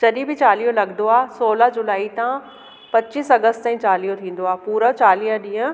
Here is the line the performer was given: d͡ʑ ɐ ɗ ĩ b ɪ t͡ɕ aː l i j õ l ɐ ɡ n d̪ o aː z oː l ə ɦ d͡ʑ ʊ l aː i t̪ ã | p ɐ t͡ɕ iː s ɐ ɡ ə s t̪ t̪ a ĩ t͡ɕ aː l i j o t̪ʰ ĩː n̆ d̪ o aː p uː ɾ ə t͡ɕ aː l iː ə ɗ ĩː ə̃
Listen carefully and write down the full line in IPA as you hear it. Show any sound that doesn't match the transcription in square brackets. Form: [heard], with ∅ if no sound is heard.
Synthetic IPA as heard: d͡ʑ ɐ ɗ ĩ b ɪ t͡ɕ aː l i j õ l ɐ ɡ n d̪ o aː [s] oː l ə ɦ d͡ʑ ʊ l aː i t̪ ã | p ɐ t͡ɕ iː s ɐ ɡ ə s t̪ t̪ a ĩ t͡ɕ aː l i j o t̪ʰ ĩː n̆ d̪ o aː p uː ɾ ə t͡ɕ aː l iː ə ɗ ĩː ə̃